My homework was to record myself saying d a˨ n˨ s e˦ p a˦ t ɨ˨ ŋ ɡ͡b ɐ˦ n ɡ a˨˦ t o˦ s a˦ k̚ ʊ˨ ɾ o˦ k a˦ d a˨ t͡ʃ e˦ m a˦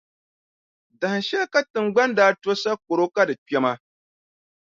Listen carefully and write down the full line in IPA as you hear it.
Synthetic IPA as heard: d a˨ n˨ ʃ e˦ k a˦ t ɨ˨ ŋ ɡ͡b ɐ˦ n d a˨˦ t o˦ s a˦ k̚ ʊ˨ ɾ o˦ k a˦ d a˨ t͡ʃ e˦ m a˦